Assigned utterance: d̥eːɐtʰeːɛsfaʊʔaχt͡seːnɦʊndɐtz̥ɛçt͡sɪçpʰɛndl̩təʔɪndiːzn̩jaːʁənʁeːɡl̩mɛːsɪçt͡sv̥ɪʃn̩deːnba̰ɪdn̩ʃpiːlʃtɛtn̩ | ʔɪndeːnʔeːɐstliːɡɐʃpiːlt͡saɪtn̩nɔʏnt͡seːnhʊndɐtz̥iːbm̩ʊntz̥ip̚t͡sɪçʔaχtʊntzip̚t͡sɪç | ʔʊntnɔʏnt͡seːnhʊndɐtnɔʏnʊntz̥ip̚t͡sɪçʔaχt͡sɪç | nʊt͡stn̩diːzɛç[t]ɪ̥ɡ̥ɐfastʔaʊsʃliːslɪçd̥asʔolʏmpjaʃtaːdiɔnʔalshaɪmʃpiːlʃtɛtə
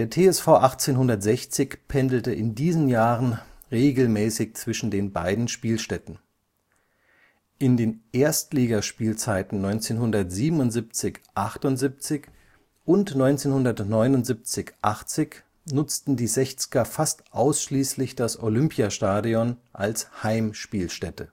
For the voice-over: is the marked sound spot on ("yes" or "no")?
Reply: no